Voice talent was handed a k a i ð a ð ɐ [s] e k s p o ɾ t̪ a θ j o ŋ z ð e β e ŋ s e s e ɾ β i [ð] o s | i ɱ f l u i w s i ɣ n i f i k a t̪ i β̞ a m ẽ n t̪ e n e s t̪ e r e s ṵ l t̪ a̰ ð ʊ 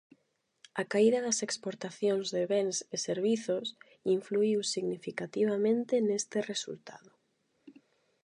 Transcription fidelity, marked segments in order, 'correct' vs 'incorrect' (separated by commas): correct, incorrect